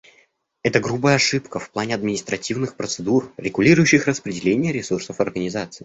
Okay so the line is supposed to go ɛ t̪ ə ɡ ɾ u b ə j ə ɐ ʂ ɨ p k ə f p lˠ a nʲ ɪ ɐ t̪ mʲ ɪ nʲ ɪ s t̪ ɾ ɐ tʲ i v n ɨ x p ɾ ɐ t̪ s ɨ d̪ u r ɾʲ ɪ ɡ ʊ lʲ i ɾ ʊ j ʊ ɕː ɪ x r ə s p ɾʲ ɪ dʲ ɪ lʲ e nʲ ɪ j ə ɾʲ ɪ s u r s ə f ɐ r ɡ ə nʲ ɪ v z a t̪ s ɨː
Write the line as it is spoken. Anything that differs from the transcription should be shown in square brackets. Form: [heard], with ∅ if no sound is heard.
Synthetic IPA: ɛ t̪ ə ɡ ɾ u b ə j ə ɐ ʂ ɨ p k ə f p lˠ a nʲ ɪ ɐ [d̪] mʲ ɪ nʲ ɪ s t̪ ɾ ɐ tʲ i v n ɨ x p ɾ [ə] t̪ s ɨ d̪ u r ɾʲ ɪ ɡ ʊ lʲ i ɾ ʊ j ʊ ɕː ɪ x r ə s p ɾʲ ɪ dʲ ɪ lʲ e nʲ ɪ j ə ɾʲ ɪ s u r s ə f ɐ r ɡ ə nʲ ɪ [∅] z a t̪ s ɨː